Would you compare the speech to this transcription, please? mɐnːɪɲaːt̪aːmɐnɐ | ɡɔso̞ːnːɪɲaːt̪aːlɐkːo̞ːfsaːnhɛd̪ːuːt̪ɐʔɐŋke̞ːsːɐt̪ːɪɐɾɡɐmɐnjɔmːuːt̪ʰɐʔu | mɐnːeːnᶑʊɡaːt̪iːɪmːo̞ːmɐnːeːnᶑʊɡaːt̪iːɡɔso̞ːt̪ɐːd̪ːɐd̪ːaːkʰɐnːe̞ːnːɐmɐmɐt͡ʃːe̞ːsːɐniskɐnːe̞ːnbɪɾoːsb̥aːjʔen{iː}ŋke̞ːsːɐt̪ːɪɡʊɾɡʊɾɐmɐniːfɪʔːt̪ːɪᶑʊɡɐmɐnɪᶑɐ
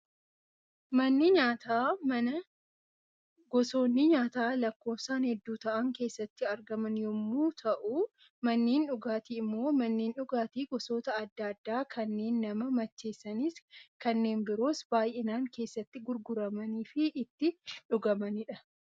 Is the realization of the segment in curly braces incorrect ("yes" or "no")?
yes